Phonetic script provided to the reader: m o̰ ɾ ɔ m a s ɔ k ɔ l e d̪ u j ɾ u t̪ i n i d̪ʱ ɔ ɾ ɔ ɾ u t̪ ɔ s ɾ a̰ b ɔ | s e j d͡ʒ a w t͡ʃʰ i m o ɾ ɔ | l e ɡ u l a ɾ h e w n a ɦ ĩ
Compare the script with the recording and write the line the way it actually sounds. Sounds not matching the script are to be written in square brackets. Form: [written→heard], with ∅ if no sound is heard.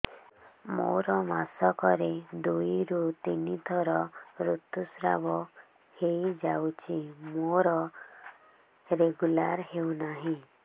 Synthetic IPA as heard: m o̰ ɾ ɔ m a s ɔ k ɔ [l→ɾ] e d̪ u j ɾ u t̪ i n i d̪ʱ ɔ ɾ ɔ ɾ u t̪ [ɔ→u] s ɾ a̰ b ɔ | [s→h] e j d͡ʒ a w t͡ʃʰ i m o ɾ ɔ | [l→ɾ] e ɡ u l a ɾ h e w n a ɦ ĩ